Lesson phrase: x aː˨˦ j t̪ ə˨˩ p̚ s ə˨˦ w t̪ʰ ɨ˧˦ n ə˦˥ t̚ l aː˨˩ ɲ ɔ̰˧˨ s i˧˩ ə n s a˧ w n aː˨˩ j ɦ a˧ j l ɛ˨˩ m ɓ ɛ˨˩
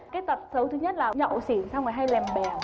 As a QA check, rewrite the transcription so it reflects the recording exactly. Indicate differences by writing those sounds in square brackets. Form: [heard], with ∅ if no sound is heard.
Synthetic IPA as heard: [k] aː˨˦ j t̪ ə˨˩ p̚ s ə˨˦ w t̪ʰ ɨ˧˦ [ɲ] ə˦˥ t̚ l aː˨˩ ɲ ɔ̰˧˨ s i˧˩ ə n s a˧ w [ŋ] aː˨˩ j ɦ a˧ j l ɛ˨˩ m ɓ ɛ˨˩